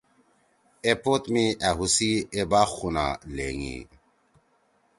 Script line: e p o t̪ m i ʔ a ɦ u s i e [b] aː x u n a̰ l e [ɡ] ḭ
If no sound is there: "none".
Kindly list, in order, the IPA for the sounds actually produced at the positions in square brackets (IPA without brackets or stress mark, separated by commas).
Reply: b, ŋ